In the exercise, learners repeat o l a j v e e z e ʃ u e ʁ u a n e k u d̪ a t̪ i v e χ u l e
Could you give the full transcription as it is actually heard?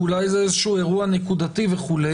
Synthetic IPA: u l a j z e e z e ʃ u e ʁ u a n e k u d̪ a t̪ i v e χ u l e